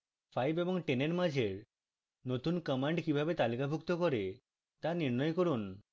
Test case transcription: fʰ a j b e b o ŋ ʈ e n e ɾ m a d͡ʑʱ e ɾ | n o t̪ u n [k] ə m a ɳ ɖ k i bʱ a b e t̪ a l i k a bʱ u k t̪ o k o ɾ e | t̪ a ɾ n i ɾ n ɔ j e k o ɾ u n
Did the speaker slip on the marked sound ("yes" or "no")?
no